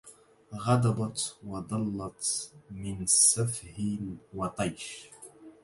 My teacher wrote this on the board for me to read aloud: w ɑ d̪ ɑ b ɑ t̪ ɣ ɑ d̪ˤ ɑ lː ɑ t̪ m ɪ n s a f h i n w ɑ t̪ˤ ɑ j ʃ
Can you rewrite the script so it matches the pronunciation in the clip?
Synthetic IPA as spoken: ɣ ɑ d̪ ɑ b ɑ t̪ w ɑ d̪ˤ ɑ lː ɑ t̪ m ɪ n s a f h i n w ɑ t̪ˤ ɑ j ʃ